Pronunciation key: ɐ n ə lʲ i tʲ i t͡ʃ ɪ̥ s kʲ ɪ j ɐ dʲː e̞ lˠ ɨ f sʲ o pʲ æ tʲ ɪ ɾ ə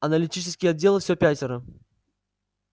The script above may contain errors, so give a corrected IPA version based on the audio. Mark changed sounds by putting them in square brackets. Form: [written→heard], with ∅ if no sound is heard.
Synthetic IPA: ɐ n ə lʲ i tʲ i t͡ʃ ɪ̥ s kʲ ɪ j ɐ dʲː e̞ lˠ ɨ f sʲ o pʲ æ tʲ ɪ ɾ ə